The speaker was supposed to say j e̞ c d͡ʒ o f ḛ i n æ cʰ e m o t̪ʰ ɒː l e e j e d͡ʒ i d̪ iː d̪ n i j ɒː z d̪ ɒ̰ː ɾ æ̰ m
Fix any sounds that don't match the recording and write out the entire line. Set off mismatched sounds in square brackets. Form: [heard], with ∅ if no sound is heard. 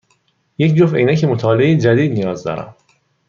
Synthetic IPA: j e̞ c d͡ʒ o f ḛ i n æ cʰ e m o t̪ʰ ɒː l e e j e d͡ʒ [æ] d̪ iː d̪ n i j ɒː z d̪ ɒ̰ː ɾ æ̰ m